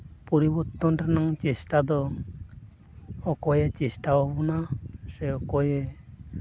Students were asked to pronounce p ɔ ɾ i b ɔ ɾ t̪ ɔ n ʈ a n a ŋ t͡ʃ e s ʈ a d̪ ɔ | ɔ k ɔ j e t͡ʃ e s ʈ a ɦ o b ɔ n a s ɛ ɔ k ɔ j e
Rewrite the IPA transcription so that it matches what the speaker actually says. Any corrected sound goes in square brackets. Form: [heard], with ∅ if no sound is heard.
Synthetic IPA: p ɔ ɾ i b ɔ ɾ t̪ ɔ n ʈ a n a ŋ t͡ʃ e s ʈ a d̪ ɔ | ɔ k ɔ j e t͡ʃ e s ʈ a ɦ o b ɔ n a s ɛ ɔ k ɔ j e